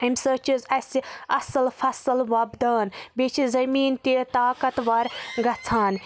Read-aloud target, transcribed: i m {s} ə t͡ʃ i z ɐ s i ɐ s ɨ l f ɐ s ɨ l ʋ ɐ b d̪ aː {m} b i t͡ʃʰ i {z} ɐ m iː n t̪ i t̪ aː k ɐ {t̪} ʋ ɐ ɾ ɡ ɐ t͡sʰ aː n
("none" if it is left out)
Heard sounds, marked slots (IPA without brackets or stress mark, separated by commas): s, n, z, t̪